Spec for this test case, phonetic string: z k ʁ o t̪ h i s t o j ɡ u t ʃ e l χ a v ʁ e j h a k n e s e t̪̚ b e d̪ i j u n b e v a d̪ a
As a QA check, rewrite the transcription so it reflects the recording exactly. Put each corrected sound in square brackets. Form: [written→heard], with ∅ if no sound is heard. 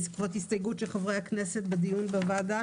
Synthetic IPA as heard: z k [ʁ→v] o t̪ h i s t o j ɡ u t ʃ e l χ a v ʁ e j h a k n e s e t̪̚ b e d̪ i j u n b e v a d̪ a